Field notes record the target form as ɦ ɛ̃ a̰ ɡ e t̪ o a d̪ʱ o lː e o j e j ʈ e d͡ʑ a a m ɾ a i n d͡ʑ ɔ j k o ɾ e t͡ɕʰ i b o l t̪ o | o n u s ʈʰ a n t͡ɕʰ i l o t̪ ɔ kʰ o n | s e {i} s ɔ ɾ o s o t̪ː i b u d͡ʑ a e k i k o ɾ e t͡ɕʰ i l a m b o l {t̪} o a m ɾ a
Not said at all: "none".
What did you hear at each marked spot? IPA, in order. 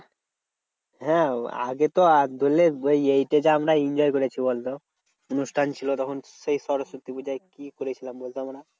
j, t̪

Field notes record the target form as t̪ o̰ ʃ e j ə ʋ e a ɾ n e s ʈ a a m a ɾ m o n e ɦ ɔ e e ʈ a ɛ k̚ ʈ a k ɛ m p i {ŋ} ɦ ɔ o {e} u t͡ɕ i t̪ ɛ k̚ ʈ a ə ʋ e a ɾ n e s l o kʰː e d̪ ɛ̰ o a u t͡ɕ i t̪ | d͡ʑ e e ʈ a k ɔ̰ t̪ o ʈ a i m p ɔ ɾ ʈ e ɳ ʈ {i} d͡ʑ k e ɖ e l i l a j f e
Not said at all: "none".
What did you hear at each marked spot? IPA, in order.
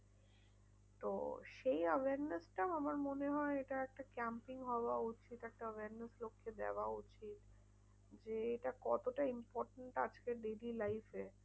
ŋ, a, a

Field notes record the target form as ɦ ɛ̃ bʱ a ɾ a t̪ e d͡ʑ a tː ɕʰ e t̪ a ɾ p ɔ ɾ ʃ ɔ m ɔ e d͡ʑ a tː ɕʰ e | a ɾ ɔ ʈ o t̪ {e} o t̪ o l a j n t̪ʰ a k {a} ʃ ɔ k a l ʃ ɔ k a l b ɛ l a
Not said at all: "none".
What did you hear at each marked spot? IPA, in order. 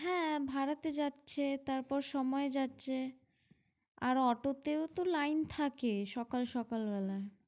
e, e

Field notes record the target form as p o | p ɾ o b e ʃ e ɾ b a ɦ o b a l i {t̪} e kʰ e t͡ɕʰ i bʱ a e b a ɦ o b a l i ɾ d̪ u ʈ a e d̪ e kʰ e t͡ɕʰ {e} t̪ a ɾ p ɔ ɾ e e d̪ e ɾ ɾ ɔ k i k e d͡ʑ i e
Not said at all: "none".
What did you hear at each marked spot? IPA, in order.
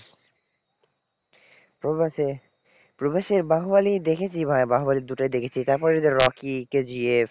d̪, i

